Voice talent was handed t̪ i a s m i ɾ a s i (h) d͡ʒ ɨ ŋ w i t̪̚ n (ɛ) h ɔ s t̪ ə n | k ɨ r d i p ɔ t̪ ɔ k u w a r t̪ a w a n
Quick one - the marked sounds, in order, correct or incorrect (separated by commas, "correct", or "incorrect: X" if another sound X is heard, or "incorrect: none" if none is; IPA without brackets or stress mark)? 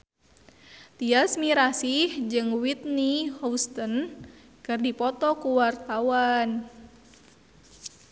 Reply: correct, incorrect: i